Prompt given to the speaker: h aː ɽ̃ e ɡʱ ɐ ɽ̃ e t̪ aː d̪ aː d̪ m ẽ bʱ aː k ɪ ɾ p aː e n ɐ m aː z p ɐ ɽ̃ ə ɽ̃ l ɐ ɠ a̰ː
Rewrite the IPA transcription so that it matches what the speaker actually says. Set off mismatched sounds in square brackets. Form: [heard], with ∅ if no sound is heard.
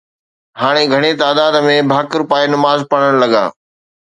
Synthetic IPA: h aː ɽ̃ e ɡʱ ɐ ɽ̃ e t̪ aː d̪ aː d̪ m ẽ bʱ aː k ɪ ɾ p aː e n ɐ m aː z p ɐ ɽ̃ ə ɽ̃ l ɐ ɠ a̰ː